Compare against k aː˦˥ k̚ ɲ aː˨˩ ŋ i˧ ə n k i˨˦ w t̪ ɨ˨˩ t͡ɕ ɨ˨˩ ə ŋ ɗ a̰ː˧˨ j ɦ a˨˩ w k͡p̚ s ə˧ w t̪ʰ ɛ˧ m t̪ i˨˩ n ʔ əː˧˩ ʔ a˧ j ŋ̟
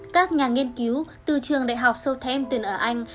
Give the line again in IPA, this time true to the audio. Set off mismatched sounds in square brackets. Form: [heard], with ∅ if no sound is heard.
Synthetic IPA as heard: k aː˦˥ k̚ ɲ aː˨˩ ŋ i˧ ə n k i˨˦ w t̪ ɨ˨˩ t͡ɕ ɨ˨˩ ə ŋ ɗ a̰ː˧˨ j ɦ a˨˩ w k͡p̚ s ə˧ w t̪ʰ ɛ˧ m t̪ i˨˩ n ʔ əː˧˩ ʔ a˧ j ŋ̟

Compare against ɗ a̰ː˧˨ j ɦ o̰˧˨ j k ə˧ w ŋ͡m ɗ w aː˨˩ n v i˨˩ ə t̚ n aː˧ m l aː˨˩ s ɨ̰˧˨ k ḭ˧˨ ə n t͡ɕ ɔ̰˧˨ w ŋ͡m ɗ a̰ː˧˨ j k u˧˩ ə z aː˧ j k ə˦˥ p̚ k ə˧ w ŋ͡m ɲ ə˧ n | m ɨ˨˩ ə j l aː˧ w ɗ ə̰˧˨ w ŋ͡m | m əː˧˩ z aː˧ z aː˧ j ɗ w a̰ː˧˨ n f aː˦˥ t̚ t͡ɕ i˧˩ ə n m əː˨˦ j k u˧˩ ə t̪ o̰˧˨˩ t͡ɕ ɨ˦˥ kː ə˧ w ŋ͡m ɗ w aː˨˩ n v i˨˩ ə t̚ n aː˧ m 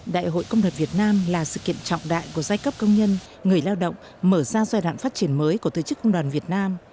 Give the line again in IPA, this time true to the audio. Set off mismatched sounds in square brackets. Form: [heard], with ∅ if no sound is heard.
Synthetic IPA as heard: ɗ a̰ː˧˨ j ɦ o̰˧˨ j k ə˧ w ŋ͡m ɗ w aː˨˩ n v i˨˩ ə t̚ n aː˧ m l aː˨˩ s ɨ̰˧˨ k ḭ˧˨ ə n t͡ɕ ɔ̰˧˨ w ŋ͡m ɗ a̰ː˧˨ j k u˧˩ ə z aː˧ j k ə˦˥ p̚ k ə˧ w ŋ͡m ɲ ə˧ n | [ŋ] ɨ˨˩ ə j l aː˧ w ɗ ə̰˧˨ w ŋ͡m | m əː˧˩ z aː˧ z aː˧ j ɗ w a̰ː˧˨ n f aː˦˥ t̚ t͡ɕ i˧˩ ə n m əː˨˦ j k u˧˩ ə t̪ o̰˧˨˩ t͡ɕ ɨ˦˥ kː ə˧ w ŋ͡m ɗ w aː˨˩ n v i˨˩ ə t̚ n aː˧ m

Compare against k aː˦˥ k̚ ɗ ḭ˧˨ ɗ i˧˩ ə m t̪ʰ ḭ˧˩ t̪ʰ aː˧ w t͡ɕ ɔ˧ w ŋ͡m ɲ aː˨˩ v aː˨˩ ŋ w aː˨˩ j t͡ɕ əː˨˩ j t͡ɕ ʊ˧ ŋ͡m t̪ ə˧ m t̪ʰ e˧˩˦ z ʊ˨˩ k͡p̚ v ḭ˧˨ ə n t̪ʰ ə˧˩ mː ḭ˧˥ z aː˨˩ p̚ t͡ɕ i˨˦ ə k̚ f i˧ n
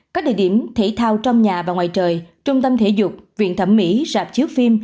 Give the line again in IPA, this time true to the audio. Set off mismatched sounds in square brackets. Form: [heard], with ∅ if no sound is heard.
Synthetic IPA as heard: k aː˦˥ k̚ ɗ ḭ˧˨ ɗ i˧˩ ə m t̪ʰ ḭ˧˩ t̪ʰ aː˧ w t͡ɕ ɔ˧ w ŋ͡m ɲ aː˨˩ v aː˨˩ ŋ w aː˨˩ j t͡ɕ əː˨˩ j t͡ɕ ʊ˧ ŋ͡m t̪ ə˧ m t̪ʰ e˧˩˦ z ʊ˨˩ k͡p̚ v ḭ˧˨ ə n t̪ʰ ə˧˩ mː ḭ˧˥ z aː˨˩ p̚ t͡ɕ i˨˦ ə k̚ f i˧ [m]

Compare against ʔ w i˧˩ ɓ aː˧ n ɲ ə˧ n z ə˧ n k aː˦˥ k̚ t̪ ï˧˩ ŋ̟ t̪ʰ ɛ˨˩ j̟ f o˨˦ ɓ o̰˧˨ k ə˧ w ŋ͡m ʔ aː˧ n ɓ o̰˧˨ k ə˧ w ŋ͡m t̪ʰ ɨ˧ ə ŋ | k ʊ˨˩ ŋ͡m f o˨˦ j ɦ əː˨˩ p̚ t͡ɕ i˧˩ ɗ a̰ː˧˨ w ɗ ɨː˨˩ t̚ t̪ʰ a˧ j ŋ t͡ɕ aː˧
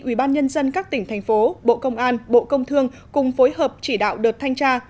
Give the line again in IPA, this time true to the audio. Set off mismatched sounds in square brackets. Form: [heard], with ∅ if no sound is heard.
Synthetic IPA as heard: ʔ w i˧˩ ɓ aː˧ n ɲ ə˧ n z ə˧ n k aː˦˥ k̚ t̪ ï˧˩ ŋ̟ t̪ʰ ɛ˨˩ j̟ f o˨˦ ɓ o̰˧˨ k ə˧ w ŋ͡m ʔ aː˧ n ɓ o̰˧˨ k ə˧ w ŋ͡m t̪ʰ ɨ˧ ə ŋ | k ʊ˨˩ ŋ͡m f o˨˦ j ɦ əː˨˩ p̚ t͡ɕ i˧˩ ɗ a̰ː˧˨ w ɗ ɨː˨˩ t̚ t̪ʰ a˧ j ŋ t͡ɕ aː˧

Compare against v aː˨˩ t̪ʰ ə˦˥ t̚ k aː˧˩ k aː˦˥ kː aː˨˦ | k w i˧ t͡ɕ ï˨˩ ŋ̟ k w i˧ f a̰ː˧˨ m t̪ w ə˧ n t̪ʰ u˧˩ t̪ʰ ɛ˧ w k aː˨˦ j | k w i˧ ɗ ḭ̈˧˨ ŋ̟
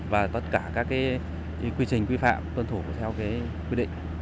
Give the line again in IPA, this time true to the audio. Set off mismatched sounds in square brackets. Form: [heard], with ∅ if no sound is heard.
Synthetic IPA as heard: v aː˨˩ [t̪] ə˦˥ t̚ k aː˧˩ k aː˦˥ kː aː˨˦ | k w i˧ t͡ɕ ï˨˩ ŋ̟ k w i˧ f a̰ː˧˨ m t̪ w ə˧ n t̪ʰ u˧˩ t̪ʰ ɛ˧ w k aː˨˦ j | k w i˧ ɗ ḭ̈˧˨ ŋ̟

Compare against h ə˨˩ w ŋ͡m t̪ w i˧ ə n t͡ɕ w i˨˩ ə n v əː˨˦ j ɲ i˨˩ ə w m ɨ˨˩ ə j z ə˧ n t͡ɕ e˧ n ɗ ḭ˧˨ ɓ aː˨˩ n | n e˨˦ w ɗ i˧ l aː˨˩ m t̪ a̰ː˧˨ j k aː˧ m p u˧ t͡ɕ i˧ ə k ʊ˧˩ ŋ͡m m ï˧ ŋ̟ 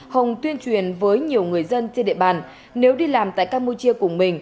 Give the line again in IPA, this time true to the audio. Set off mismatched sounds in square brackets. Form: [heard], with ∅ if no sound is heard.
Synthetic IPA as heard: h ə˨˩ w ŋ͡m t̪ w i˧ ə n t͡ɕ w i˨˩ ə n v əː˨˦ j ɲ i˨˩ ə w [ŋ] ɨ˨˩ ə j z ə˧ n t͡ɕ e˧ n ɗ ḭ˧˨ ɓ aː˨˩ n | n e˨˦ w ɗ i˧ l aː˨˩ m t̪ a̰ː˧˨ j k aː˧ m p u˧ t͡ɕ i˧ ə k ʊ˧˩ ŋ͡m m [ï˨˩] ŋ̟

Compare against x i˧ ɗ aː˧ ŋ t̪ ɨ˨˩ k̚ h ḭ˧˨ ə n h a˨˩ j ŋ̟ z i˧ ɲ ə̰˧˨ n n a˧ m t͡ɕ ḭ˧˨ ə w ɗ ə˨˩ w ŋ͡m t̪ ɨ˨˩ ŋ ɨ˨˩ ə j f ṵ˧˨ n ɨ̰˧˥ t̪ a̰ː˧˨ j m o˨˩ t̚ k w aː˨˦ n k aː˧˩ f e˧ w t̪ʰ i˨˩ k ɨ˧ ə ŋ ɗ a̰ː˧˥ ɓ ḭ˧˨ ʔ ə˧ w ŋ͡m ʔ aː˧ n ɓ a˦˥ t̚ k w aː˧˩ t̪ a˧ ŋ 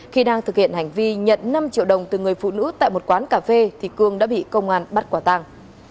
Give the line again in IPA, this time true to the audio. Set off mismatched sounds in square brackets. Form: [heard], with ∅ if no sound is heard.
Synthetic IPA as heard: x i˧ ɗ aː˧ ŋ t̪ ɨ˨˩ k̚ h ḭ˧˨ ə n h a˨˩ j ŋ̟ [v] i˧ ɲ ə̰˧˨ n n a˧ m t͡ɕ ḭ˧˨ ə w ɗ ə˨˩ w ŋ͡m t̪ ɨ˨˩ ŋ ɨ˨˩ ə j f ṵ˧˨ n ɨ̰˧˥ t̪ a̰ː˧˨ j m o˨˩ t̚ k w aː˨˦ n k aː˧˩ f e˧ [∅] t̪ʰ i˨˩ k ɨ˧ ə ŋ ɗ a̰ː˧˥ ɓ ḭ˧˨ [k] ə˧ w ŋ͡m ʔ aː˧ n ɓ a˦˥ t̚ k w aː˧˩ t̪ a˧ ŋ

